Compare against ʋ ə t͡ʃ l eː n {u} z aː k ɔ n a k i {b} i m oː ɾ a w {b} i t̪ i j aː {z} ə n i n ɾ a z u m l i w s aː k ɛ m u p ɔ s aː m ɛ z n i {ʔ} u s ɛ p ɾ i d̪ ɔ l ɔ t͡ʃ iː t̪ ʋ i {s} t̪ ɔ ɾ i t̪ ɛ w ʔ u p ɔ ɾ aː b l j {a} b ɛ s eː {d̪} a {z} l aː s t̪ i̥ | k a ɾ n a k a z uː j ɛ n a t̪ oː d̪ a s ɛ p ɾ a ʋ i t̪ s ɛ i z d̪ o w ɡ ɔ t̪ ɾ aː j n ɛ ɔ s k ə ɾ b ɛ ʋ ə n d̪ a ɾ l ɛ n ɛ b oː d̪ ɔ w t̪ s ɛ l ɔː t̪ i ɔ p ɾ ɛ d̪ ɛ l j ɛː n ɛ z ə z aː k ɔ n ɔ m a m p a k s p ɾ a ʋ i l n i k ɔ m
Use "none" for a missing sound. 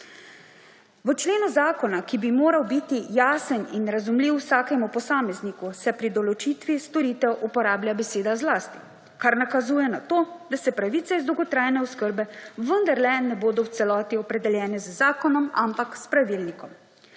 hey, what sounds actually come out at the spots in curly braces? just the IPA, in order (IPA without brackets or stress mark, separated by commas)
u, b, b, s, k, s, a, d̪, z